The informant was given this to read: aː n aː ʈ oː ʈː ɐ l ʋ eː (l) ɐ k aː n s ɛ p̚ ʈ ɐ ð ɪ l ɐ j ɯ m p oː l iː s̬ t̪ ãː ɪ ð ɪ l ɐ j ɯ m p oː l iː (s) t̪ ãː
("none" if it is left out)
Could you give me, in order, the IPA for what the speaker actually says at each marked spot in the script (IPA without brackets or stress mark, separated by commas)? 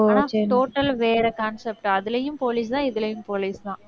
ɾ, s